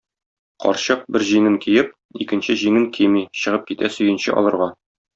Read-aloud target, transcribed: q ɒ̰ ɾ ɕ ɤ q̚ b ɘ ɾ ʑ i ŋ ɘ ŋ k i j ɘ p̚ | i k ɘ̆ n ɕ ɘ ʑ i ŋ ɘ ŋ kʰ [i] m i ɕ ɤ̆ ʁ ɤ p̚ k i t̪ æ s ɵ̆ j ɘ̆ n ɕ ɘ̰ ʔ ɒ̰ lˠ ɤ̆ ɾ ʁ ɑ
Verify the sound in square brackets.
correct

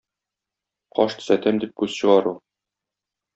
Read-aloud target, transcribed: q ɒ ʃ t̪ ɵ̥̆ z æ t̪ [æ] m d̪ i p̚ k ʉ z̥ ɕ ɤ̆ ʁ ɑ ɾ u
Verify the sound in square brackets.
correct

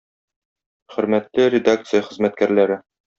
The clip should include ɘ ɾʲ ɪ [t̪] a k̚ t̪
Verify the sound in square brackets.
incorrect: d̪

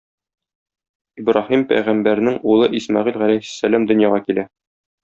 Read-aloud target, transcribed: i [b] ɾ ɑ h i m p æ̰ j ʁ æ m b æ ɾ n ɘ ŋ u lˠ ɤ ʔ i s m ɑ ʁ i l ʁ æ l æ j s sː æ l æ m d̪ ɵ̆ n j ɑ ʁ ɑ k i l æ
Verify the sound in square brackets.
correct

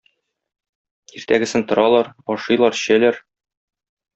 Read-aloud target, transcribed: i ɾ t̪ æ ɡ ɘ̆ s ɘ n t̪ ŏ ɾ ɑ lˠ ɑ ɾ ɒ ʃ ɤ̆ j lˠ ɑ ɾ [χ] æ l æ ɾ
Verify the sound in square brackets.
incorrect: ɕ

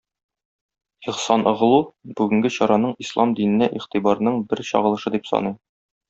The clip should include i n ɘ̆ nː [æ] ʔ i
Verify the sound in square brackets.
correct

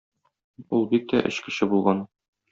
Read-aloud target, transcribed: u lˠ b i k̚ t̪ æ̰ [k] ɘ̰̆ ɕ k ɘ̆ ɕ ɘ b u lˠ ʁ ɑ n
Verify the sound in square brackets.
incorrect: ʔ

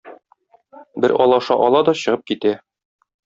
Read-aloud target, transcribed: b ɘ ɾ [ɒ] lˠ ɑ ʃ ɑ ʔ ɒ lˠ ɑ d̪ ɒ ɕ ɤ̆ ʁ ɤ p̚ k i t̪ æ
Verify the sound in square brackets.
correct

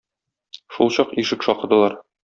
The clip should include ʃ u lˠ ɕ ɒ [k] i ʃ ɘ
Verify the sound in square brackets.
incorrect: q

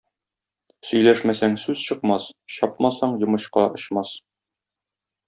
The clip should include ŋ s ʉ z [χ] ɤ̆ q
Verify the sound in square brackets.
incorrect: ɕ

